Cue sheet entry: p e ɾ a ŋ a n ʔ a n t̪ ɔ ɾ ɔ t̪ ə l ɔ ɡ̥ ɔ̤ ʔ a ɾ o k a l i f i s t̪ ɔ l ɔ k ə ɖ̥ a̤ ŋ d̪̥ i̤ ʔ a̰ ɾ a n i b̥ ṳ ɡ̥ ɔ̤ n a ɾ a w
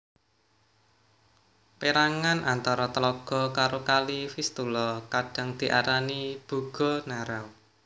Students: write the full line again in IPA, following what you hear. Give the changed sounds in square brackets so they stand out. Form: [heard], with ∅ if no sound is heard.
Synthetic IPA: p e ɾ a ŋ a n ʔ a n t̪ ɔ ɾ ɔ t̪ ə l ɔ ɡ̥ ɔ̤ [k] a ɾ o k a l i f i s t̪ [u] l ɔ k [a] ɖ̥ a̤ ŋ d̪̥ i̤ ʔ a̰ ɾ a n i b̥ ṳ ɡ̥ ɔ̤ n a ɾ a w